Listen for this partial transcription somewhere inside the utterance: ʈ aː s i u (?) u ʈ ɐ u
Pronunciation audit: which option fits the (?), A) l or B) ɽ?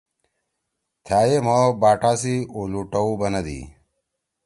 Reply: A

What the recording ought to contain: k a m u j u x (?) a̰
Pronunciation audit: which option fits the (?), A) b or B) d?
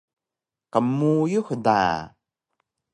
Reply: B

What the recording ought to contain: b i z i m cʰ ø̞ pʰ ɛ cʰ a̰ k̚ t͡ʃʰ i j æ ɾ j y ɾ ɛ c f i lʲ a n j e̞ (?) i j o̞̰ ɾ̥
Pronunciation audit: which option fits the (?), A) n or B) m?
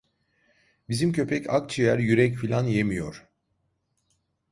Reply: B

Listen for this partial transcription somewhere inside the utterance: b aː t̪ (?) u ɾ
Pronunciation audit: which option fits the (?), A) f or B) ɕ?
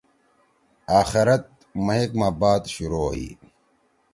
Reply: B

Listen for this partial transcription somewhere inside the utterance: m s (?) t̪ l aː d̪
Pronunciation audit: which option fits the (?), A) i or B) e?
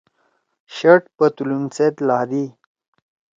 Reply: B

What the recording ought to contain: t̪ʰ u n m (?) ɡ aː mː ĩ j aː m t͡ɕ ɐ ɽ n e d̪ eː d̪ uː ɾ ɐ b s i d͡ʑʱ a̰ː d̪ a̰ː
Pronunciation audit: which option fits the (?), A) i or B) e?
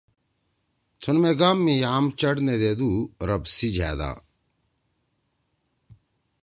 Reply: B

